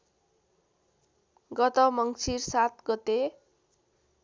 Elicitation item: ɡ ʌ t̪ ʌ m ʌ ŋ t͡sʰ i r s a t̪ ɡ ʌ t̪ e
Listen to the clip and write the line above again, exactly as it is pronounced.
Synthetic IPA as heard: ɡ ʌ t̪ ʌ m ʌ ŋ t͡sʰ i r s a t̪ ɡ ʌ t̪ e